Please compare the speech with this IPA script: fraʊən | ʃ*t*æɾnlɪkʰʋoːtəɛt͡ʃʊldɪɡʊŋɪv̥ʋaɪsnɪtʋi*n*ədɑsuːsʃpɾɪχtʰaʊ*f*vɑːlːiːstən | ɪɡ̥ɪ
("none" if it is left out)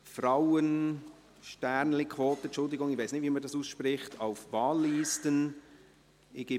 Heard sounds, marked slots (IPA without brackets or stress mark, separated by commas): t, m, f